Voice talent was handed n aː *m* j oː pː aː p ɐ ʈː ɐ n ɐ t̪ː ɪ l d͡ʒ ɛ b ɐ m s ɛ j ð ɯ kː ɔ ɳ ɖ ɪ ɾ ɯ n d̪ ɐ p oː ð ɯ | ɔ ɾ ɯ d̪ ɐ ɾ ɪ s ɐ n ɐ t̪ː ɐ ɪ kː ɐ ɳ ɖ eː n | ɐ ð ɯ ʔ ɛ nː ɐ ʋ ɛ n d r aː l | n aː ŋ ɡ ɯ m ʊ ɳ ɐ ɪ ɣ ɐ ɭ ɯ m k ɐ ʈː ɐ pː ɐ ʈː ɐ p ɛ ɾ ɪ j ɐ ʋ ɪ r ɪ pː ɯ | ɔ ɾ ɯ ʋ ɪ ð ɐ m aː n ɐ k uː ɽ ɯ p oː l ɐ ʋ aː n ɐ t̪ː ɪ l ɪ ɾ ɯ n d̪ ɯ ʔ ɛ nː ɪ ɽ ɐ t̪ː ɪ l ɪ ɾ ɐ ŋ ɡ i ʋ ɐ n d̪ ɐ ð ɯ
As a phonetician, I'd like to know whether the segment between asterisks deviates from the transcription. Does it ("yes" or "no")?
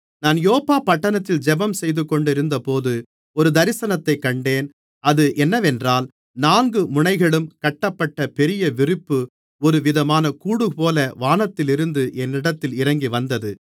yes